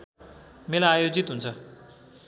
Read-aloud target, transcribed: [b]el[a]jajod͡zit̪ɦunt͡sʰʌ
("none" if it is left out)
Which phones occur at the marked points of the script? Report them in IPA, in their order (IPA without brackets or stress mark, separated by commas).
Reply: m, a